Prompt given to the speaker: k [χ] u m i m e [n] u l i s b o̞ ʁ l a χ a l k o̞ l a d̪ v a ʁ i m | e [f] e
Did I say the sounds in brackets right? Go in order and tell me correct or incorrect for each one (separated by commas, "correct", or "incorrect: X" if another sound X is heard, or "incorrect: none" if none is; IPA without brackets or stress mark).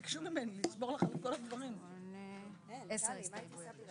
incorrect: ʃ, correct, incorrect: s